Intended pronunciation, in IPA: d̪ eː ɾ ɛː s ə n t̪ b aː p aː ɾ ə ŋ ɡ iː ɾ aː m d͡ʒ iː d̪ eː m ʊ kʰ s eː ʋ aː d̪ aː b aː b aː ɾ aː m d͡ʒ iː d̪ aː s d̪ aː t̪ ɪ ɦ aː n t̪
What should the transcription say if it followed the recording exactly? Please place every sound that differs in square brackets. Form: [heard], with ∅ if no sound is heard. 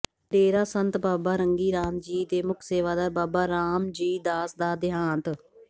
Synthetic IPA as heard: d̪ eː ɾ [aː] s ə n t̪ b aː [b] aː ɾ ə ŋ ɡ iː ɾ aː m d͡ʒ iː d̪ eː m ʊ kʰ s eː ʋ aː d̪ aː b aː b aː ɾ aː m d͡ʒ iː d̪ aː s d̪ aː [d̪] ɪ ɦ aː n t̪